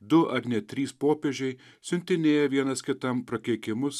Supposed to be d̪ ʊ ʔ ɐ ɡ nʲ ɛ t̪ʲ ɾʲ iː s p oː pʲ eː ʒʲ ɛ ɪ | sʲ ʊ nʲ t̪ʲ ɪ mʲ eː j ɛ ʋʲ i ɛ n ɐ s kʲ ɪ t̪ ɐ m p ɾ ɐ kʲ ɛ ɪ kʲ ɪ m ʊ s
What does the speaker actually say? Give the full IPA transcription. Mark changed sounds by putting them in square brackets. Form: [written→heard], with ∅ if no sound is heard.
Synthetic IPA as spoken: d̪ ʊ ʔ ɐ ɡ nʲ ɛ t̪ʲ ɾʲ iː s p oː pʲ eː ʒʲ ɛ ɪ | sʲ ʊ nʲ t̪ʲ ɪ [mʲ→nʲ] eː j ɛ ʋʲ i ɛ n ɐ s kʲ ɪ t̪ ɐ m p ɾ ɐ kʲ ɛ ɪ kʲ ɪ m ʊ s